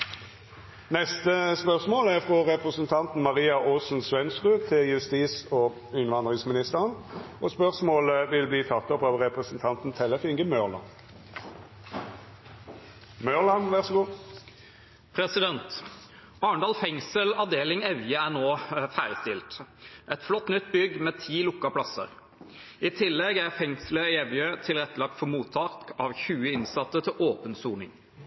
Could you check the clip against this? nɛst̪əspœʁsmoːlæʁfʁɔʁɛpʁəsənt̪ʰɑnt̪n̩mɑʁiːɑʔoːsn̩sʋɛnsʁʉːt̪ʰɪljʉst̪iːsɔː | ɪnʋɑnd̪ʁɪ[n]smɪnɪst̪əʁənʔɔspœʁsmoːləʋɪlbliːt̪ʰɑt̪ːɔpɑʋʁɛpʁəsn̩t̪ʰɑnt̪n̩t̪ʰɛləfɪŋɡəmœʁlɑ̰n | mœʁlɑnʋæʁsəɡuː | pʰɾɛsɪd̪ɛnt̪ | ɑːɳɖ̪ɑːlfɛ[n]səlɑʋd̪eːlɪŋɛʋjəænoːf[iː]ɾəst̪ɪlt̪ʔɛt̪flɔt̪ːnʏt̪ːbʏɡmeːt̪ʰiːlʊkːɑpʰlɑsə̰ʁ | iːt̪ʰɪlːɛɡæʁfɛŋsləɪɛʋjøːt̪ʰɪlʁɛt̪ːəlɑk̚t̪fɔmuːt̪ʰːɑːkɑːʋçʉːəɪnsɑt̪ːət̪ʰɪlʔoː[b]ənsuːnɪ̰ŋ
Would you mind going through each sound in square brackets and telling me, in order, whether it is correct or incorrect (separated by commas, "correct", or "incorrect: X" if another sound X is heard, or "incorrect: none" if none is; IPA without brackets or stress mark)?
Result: incorrect: ŋ, incorrect: ŋ, incorrect: æː, incorrect: p